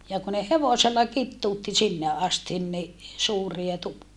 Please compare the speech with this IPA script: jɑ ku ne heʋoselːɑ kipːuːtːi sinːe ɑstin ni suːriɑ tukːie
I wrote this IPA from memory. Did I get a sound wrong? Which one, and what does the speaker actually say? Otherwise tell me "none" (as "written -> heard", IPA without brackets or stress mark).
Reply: pː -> tː